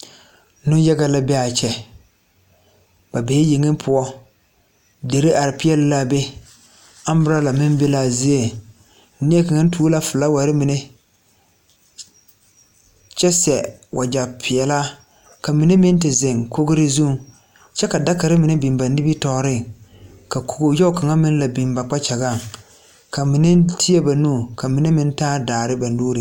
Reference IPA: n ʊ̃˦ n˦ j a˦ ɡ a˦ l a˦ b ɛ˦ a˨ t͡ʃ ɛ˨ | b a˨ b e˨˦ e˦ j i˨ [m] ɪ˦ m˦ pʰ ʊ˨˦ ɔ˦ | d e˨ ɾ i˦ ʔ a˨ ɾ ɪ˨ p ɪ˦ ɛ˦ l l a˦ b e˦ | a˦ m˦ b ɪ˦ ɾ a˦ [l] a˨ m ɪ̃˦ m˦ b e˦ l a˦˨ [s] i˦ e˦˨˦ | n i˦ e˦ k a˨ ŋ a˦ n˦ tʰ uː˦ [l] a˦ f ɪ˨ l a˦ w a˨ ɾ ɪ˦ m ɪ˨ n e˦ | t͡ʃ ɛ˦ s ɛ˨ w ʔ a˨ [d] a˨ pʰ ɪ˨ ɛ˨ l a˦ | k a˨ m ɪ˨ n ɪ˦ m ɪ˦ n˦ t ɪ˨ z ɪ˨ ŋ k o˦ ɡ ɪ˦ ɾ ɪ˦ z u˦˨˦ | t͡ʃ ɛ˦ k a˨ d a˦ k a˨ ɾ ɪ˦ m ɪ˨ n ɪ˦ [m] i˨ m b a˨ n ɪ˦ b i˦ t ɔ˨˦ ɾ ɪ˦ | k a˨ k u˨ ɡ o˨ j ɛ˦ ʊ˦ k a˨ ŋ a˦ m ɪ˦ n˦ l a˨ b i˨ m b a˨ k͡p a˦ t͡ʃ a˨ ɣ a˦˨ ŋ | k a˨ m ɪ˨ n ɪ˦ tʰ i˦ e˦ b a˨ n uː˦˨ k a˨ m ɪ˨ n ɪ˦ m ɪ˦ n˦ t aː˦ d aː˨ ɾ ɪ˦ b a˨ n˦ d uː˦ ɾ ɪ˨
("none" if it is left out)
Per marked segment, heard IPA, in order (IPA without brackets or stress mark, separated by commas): ŋ, l, z, l, d͡ʒ, b